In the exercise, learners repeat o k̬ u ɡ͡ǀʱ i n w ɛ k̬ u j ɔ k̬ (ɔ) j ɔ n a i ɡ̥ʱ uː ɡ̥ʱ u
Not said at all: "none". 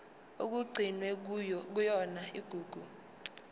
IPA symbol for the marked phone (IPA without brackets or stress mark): u